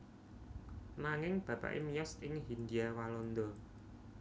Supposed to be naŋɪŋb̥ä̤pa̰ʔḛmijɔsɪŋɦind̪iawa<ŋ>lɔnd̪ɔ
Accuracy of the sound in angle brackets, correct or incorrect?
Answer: incorrect